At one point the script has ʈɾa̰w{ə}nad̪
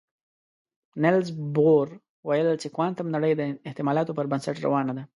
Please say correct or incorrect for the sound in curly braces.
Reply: incorrect